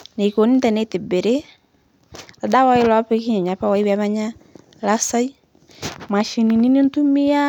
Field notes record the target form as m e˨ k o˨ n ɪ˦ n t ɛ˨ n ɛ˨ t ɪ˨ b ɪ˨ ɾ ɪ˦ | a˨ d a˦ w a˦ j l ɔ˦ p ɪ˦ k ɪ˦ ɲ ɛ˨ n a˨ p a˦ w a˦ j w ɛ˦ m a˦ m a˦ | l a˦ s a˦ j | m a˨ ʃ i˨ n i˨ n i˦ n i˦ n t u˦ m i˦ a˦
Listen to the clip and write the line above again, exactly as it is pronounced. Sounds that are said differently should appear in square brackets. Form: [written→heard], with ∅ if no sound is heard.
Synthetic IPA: [m→n] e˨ k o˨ n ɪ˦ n t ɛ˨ n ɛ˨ t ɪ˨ b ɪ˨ ɾ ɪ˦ | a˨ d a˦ w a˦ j l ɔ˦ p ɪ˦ k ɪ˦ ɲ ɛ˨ [n→ɲ] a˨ p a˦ w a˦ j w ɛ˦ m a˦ [m→ɲ] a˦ | l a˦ s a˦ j | m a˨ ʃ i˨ n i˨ n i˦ n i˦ n t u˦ m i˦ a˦